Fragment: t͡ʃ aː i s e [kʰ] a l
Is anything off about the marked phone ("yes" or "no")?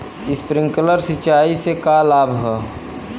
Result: yes